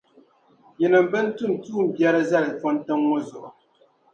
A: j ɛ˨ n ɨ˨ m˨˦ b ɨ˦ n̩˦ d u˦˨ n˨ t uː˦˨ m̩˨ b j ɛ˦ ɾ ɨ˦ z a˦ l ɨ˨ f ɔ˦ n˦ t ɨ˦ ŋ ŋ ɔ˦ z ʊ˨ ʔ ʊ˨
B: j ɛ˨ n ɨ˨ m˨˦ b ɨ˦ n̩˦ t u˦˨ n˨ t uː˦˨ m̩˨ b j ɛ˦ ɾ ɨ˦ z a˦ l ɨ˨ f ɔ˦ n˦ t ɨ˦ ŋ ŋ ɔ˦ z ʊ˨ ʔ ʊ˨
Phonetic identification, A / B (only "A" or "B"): B